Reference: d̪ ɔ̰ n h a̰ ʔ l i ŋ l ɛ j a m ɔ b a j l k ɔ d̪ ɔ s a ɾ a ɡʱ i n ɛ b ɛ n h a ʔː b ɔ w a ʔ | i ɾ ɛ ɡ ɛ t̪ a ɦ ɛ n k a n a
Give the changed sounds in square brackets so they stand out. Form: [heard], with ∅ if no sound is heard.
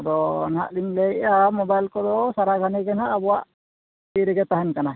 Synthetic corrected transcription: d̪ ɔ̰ n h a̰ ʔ l i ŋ l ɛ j a m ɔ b a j l k ɔ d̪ ɔ s a ɾ a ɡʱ [a] n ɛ [ɡ] ɛ n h a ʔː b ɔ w a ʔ | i ɾ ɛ ɡ ɛ t̪ a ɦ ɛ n k a n a